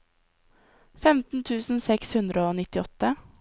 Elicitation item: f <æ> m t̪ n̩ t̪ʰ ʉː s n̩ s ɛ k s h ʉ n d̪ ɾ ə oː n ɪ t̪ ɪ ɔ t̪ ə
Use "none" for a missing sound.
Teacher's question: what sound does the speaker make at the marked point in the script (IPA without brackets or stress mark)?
ɛ